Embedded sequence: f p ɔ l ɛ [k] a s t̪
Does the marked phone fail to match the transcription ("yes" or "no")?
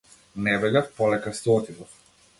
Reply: no